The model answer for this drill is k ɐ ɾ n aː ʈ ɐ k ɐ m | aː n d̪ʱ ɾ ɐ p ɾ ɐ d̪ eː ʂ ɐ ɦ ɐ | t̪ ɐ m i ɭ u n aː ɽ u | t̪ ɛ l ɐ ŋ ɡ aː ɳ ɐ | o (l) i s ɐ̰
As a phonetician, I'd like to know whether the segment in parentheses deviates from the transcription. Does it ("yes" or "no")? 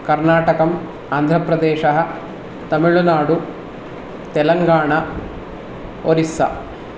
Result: yes